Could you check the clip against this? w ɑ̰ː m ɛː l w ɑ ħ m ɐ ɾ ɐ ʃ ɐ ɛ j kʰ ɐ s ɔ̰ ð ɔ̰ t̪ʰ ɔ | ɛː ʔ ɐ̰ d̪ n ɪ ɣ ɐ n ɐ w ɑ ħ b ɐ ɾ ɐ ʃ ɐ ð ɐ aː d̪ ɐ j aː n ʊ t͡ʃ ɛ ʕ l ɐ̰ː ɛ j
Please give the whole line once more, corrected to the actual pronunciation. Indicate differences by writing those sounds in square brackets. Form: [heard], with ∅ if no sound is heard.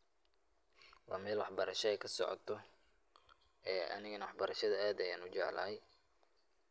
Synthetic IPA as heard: w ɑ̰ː m ɛː l w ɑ ħ [b] ɐ ɾ ɐ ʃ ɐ ɛ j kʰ ɐ s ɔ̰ [ʕ] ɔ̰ t̪ʰ ɔ | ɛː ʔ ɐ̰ [∅] n ɪ ɣ ɐ n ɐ w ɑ ħ b ɐ ɾ ɐ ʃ ɐ ð ɐ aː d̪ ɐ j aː n ʊ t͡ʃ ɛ ʕ l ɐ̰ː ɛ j